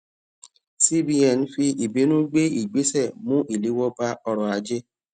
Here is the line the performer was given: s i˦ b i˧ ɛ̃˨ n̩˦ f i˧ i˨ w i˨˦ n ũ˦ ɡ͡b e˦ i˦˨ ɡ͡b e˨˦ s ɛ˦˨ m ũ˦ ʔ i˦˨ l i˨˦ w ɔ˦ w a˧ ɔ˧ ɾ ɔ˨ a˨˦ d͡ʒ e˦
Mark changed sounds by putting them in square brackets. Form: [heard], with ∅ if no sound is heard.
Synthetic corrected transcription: s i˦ b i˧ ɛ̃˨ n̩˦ f i˧ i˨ [b] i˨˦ n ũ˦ ɡ͡b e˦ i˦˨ ɡ͡b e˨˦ s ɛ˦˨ m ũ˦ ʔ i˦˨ l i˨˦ w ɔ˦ [b] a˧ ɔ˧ ɾ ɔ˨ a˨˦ d͡ʒ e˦